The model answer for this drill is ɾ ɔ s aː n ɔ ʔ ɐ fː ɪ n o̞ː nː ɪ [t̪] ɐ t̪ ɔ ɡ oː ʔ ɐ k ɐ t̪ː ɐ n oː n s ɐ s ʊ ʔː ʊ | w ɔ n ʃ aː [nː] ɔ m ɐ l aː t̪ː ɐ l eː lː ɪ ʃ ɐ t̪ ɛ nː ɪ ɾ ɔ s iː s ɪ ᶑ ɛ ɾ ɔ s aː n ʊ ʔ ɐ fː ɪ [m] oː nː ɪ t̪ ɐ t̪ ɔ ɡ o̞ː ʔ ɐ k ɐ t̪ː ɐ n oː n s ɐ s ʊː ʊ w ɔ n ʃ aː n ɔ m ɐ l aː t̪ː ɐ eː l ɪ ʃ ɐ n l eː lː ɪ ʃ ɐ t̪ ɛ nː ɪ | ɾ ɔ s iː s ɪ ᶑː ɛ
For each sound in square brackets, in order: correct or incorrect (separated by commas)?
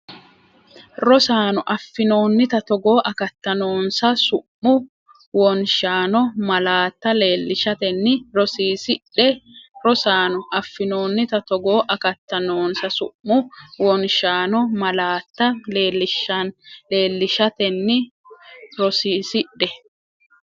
correct, incorrect, incorrect